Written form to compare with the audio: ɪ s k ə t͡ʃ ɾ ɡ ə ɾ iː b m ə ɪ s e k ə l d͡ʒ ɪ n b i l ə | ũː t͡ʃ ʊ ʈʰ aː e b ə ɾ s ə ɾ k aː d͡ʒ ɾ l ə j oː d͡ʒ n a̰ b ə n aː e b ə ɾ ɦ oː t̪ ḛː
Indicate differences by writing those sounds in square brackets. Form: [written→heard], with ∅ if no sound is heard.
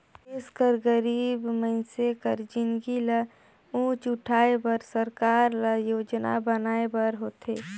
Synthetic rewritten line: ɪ s k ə [t͡ʃ→∅] ɾ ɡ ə ɾ iː b m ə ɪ s e k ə [l→ɾ] d͡ʒ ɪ n [b→ɡ] i l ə | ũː t͡ʃ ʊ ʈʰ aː e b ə ɾ s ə ɾ k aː [d͡ʒ→∅] ɾ l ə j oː d͡ʒ n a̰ b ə n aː e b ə ɾ ɦ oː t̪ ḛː